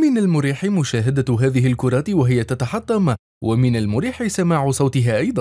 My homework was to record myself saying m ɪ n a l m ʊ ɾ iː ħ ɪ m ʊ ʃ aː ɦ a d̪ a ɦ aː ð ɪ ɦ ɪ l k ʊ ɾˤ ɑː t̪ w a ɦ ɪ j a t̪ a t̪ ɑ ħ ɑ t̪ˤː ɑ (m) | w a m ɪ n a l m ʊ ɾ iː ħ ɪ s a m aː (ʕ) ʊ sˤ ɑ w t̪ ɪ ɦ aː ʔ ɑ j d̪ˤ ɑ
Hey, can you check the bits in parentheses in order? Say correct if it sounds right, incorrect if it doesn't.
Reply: correct, correct

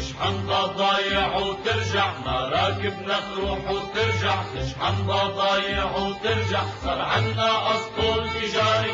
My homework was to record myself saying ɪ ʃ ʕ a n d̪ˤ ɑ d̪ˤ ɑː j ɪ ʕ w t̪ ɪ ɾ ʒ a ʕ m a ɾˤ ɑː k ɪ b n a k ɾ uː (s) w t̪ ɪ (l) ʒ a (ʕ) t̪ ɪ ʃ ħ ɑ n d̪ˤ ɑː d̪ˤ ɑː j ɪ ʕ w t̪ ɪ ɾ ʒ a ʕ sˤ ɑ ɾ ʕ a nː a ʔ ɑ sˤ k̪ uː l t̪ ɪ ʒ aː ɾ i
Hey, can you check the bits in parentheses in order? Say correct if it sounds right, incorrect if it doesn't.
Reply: incorrect, incorrect, correct

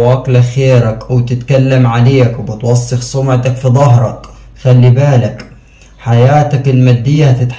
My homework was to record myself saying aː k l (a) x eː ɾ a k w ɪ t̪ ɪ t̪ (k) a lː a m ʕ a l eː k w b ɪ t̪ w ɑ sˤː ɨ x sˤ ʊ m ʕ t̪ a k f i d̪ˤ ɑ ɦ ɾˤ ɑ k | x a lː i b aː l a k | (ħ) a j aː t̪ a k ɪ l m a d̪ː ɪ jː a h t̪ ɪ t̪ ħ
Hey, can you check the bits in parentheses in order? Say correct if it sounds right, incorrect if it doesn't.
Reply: correct, correct, correct

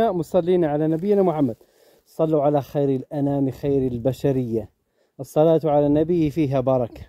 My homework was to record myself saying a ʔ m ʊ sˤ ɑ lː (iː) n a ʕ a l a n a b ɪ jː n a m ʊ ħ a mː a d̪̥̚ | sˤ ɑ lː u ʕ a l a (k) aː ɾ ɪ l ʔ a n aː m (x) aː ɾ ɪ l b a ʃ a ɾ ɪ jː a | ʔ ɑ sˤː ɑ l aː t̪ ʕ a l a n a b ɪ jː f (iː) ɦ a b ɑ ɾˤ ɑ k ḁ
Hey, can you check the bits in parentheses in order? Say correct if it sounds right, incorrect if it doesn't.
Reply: correct, incorrect, correct, correct

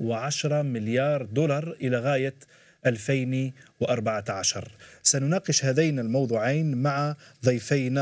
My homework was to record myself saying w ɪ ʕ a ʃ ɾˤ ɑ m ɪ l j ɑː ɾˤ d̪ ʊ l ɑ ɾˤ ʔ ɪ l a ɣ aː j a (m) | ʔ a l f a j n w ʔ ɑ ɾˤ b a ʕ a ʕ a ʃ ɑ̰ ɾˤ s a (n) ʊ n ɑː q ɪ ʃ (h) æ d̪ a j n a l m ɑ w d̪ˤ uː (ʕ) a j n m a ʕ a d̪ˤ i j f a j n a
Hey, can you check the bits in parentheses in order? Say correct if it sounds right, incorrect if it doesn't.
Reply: incorrect, correct, correct, correct

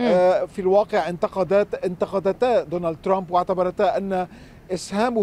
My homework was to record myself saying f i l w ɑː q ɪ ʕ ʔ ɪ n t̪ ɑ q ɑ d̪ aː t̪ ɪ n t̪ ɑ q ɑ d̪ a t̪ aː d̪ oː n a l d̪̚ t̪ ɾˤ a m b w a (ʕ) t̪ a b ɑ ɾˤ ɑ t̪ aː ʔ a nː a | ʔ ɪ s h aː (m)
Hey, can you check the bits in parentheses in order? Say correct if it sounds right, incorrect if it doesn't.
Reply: correct, correct

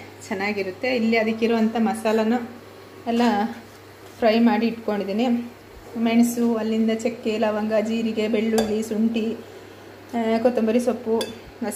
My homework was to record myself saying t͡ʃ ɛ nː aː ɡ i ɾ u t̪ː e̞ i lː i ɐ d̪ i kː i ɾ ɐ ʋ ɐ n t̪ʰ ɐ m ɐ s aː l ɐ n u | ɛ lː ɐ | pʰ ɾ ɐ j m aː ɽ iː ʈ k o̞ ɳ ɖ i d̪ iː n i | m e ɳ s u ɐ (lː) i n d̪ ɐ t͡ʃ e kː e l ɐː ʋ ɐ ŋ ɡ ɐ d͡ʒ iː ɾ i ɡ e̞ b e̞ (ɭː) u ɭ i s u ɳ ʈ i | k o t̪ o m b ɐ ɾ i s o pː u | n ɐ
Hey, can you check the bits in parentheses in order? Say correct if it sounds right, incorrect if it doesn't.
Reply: correct, correct

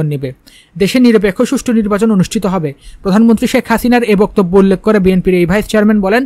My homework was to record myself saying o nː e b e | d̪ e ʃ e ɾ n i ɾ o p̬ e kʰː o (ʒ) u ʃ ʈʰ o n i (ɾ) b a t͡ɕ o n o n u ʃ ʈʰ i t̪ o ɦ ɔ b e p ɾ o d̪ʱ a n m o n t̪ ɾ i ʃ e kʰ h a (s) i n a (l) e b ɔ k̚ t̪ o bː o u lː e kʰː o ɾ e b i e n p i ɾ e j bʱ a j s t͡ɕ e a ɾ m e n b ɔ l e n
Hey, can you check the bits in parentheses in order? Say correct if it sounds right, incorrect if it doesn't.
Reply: incorrect, correct, correct, incorrect

